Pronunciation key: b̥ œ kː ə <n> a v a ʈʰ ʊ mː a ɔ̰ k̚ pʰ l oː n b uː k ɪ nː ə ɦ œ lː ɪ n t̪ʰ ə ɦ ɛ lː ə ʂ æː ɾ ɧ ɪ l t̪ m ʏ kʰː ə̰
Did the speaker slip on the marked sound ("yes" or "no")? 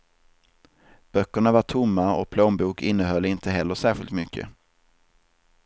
yes